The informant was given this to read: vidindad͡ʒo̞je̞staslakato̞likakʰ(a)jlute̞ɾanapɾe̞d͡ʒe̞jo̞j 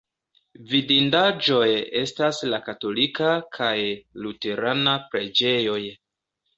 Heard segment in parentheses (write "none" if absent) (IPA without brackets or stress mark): a